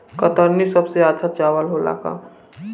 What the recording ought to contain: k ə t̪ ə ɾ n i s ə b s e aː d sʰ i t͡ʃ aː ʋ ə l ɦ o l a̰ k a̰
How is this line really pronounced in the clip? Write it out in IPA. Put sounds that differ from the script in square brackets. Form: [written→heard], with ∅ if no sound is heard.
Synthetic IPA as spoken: k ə t̪ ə ɾ n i s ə b s e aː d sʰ [i→a] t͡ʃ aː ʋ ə l ɦ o l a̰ k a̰